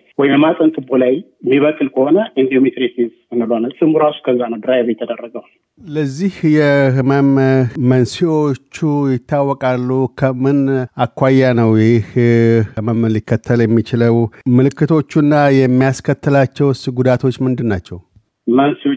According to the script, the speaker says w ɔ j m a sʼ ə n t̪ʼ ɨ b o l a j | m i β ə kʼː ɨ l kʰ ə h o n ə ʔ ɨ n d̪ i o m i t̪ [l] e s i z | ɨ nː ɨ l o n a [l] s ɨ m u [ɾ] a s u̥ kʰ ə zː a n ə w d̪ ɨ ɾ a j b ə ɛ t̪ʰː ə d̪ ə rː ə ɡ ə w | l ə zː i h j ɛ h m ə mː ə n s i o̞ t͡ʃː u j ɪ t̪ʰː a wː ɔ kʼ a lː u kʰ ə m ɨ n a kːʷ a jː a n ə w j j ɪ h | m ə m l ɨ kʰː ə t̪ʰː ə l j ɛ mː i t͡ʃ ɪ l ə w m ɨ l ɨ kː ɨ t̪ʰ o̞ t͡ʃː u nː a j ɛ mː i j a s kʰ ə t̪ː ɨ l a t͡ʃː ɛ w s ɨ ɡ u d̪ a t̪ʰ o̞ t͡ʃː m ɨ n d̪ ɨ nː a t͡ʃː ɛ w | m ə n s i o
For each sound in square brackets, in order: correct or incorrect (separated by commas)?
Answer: incorrect, correct, correct